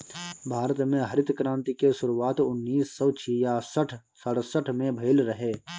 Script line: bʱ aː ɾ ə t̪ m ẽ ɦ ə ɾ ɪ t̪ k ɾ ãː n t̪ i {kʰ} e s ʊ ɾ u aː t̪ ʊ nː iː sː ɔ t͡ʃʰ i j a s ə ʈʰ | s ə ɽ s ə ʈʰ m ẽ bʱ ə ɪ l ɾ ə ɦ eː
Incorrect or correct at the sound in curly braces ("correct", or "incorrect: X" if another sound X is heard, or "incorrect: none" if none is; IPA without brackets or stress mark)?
incorrect: k